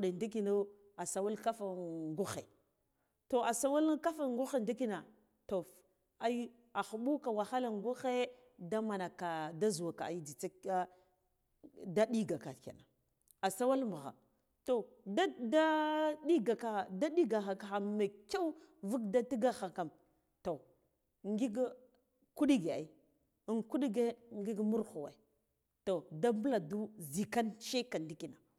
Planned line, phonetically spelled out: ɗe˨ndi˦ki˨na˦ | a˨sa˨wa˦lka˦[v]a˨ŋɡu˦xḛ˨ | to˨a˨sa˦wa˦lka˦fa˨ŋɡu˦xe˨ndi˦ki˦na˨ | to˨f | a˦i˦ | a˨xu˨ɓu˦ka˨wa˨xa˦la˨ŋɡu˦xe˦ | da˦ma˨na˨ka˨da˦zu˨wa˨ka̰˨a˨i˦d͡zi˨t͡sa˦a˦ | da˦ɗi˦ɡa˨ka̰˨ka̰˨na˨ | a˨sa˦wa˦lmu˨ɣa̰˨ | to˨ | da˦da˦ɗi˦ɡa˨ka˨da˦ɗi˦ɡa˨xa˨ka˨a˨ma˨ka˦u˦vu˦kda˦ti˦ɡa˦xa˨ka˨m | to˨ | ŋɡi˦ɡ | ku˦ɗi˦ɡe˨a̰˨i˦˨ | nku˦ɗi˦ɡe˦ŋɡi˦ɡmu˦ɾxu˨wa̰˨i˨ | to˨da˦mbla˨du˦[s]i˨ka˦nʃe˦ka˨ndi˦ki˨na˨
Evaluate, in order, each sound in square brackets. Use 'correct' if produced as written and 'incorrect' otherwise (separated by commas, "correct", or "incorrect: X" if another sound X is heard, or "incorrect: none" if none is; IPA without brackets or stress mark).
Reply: incorrect: f, incorrect: z